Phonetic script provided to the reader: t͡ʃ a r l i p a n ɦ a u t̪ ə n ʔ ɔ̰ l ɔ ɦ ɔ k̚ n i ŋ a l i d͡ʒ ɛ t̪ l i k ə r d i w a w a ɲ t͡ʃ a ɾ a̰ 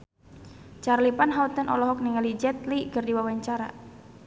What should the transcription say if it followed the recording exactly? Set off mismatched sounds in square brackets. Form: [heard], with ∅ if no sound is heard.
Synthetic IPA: t͡ʃ a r l i p a n ɦ a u t̪ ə n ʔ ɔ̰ l ɔ ɦ ɔ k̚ n i ŋ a l i d͡ʒ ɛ t̪ l i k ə r d i w a w a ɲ t͡ʃ a ɾ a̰